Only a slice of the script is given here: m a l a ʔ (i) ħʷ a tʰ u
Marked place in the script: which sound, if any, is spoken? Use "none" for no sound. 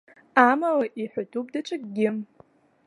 i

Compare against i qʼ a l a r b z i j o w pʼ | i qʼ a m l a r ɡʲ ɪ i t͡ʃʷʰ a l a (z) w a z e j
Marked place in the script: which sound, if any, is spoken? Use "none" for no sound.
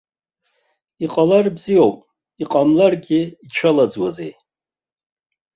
d͡z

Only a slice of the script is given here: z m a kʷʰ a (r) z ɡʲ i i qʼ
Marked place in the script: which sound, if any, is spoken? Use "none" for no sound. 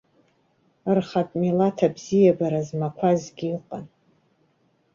none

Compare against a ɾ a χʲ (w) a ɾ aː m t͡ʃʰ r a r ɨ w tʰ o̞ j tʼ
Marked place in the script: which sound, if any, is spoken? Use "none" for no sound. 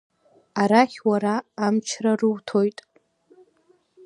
w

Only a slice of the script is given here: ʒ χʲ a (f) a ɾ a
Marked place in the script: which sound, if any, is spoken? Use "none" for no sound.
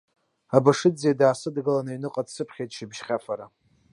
f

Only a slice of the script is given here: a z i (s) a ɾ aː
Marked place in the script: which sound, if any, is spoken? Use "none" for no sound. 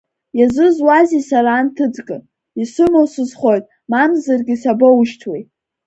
s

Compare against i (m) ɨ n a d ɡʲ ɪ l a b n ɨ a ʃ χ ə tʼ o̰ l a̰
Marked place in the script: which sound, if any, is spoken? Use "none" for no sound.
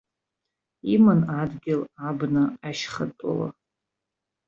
m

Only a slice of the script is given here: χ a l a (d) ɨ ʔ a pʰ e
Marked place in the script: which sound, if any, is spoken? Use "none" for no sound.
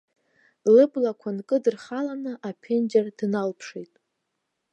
n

